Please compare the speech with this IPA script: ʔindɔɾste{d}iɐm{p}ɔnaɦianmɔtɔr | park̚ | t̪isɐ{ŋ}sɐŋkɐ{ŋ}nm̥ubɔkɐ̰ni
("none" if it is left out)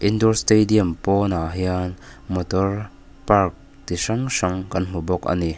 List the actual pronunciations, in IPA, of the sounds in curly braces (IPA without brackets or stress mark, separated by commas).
d, p, ŋ, none